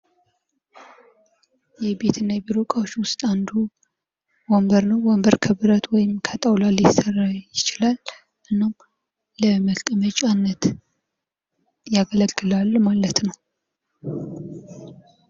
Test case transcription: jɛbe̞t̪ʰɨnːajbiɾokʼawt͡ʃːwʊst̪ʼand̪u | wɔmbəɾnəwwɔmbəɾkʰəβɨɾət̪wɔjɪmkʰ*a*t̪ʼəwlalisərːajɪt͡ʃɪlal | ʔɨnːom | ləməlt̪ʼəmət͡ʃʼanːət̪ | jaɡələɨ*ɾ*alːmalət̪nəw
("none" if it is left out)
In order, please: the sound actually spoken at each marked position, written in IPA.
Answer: ə, l

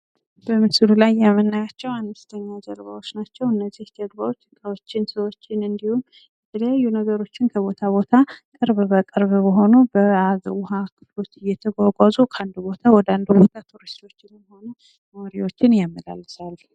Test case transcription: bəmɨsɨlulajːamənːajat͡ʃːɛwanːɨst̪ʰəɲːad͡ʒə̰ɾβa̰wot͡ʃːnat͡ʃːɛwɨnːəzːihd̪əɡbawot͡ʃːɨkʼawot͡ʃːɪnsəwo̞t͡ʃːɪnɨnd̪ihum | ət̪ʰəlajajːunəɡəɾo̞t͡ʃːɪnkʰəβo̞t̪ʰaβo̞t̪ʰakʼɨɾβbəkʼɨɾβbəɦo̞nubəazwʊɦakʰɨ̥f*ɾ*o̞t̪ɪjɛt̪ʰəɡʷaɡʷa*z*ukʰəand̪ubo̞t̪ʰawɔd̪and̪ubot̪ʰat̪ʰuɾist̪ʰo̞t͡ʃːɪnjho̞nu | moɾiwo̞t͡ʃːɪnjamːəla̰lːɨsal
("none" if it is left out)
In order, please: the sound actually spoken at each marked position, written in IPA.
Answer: l, z

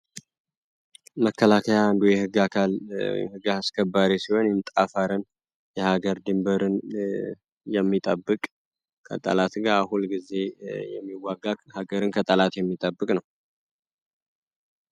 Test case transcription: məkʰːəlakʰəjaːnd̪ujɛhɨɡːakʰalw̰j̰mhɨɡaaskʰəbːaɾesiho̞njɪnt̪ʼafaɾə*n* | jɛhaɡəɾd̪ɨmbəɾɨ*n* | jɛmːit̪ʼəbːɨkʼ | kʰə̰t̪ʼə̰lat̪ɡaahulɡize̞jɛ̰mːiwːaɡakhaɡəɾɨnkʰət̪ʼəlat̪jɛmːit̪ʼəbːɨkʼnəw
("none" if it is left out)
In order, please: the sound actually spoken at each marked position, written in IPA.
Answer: n, n

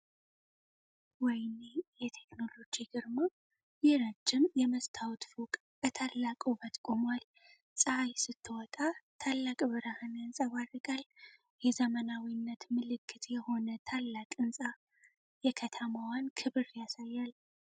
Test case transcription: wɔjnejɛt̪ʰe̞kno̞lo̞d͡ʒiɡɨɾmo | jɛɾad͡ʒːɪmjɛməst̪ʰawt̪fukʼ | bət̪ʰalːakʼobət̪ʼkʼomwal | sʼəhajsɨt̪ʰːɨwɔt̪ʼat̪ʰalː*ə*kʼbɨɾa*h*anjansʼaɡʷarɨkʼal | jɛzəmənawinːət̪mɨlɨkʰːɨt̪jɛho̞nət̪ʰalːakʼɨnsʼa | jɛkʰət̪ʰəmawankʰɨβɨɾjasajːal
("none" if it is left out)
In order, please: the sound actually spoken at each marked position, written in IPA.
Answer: a, h

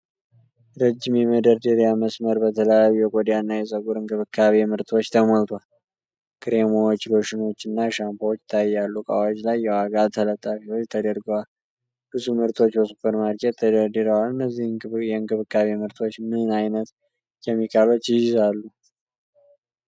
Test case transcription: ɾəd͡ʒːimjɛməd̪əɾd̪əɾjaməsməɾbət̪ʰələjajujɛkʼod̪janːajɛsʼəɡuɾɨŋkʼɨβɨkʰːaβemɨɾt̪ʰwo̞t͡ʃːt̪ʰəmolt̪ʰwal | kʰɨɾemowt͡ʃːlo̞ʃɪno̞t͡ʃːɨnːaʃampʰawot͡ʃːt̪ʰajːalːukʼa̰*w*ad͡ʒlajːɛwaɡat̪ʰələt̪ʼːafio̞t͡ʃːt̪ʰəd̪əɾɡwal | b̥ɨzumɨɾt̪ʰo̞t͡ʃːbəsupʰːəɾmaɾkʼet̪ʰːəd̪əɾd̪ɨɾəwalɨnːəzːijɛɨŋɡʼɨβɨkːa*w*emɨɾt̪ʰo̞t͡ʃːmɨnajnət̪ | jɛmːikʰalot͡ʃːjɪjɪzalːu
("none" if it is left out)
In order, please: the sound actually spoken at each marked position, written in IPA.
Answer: w, β

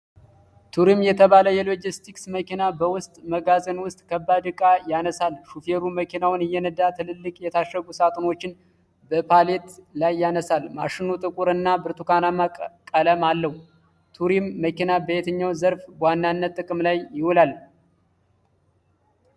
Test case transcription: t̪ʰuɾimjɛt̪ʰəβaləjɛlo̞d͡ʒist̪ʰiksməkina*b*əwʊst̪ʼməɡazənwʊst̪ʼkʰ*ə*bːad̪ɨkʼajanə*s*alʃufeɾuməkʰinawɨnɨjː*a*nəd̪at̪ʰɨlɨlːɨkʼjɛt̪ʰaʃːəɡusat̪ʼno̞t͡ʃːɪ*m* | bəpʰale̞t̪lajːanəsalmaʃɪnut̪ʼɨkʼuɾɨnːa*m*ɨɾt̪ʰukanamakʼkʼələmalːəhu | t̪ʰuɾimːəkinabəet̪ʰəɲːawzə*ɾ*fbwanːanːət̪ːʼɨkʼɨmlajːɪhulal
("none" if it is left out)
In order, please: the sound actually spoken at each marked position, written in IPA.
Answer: b, ə, s, ɛ, n, b, ɾ

